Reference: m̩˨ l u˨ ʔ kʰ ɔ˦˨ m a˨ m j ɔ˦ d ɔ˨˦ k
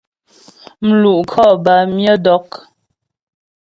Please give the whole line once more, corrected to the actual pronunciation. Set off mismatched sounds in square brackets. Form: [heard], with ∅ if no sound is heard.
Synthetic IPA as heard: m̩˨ l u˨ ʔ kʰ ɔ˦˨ [b] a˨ m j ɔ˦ d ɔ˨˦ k